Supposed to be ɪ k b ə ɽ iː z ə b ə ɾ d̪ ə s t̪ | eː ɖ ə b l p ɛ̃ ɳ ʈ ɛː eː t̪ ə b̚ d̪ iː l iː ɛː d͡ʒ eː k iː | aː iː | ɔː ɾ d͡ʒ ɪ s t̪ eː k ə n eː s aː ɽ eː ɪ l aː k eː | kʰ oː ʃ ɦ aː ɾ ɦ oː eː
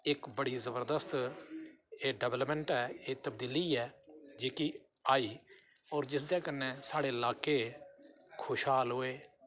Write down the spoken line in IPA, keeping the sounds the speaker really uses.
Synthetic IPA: ɪ k b ə ɽ iː z ə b ə ɾ d̪ ə s t̪ | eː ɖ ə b l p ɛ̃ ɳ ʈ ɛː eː t̪ ə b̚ d̪ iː l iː ɛː d͡ʒ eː k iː | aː iː | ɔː ɾ d͡ʒ ɪ s d̪ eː k ə n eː s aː ɽ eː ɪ l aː k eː | kʰ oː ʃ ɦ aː l ɦ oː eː